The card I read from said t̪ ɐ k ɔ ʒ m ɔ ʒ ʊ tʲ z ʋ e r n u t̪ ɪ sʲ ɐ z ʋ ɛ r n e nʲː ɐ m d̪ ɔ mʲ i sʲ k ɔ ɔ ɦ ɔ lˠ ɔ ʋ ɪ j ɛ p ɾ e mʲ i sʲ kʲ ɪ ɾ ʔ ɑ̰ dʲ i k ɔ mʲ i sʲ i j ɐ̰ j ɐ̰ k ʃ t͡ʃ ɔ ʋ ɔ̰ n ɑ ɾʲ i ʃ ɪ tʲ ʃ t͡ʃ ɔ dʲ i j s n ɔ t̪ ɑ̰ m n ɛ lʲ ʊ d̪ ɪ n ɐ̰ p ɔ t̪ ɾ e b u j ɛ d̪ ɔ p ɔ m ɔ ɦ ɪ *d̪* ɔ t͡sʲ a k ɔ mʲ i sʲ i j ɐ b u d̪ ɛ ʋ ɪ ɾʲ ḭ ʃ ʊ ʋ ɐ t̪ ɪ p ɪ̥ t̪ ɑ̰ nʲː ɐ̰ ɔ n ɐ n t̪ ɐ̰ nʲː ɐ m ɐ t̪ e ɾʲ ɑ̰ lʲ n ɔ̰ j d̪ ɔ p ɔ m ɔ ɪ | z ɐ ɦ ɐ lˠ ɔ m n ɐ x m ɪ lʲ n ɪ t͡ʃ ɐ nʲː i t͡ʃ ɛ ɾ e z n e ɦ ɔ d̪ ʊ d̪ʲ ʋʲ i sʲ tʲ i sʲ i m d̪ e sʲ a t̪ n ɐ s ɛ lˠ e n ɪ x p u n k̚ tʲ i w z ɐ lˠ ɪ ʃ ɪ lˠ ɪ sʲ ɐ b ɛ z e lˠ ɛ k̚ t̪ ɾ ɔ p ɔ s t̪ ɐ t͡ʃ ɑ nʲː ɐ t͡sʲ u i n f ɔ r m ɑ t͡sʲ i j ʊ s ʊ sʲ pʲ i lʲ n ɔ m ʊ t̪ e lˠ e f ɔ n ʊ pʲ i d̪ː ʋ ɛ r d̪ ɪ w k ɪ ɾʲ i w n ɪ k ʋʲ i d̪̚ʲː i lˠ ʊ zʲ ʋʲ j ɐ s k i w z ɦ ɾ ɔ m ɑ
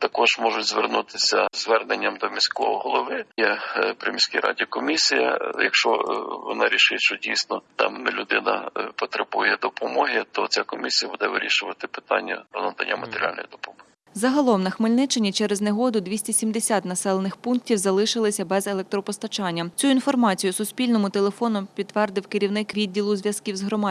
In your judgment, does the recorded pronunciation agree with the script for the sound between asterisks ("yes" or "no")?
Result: no